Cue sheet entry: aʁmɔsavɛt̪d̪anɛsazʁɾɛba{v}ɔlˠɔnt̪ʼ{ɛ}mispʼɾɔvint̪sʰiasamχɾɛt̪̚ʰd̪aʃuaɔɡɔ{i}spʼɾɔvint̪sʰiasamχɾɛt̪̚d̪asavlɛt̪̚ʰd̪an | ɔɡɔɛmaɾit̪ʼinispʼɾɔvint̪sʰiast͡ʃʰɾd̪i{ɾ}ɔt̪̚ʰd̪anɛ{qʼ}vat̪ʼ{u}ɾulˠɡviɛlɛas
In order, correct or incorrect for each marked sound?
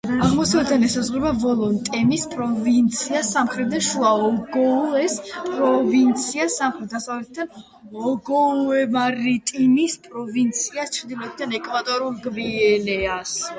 correct, correct, incorrect, incorrect, incorrect, incorrect

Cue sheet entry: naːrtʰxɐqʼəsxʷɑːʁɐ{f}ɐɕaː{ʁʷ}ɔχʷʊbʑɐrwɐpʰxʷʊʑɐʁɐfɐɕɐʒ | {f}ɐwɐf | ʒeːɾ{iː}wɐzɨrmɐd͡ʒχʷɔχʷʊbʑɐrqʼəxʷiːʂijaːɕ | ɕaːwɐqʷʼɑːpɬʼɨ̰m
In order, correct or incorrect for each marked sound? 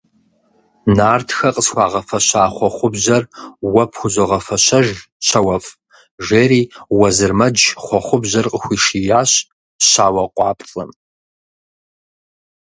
correct, incorrect, incorrect, correct

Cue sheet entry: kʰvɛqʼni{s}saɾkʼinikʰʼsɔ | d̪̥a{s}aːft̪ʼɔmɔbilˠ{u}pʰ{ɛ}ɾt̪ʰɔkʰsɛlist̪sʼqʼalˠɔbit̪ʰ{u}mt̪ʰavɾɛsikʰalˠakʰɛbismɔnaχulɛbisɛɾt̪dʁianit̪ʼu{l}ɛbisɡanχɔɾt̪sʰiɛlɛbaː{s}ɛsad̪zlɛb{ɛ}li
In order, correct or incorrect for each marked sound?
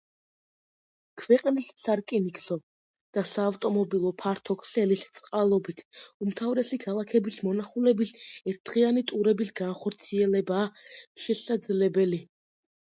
correct, correct, incorrect, incorrect, correct, incorrect, incorrect, correct

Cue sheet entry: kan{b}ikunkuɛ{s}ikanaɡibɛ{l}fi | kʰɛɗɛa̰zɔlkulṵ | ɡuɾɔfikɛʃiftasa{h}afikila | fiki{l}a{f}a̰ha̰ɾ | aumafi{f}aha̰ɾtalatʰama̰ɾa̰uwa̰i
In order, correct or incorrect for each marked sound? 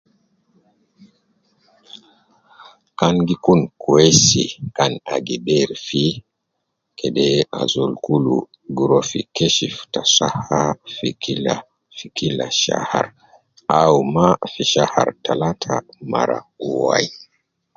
incorrect, correct, incorrect, correct, correct, incorrect, incorrect

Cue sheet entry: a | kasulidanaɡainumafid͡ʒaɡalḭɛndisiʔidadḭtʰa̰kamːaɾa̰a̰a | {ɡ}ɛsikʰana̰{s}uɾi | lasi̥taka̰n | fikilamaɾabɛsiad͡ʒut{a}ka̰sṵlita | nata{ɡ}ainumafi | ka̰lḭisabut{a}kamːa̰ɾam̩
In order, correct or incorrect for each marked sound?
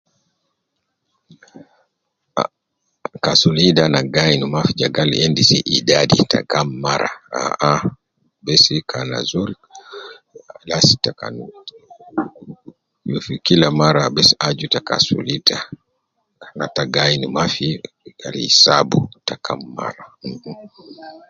incorrect, incorrect, correct, correct, correct

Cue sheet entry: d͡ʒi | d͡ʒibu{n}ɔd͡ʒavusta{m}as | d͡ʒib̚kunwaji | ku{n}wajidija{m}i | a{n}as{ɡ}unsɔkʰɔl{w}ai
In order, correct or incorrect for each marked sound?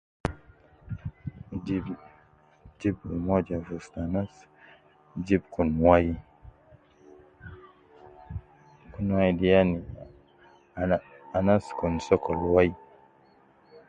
incorrect, incorrect, correct, incorrect, correct, incorrect, correct

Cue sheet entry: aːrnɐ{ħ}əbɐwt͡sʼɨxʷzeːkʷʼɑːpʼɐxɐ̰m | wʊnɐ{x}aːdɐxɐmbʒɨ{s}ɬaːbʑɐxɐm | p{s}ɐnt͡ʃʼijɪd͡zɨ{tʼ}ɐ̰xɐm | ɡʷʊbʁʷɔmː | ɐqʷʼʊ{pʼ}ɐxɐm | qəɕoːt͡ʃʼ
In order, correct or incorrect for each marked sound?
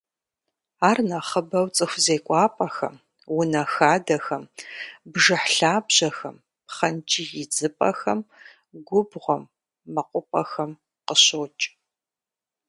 incorrect, correct, incorrect, incorrect, incorrect, correct

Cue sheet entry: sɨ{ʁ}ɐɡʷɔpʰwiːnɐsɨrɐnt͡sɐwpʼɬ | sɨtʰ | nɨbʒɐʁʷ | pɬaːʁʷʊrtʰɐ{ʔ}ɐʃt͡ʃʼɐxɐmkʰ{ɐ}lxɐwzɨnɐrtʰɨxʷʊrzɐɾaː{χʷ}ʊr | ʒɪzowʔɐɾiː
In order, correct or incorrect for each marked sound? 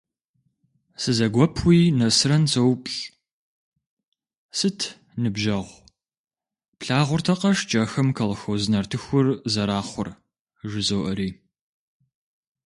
incorrect, incorrect, correct, correct

